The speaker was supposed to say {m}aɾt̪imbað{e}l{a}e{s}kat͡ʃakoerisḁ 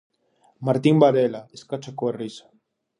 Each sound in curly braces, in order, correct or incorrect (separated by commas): correct, correct, correct, correct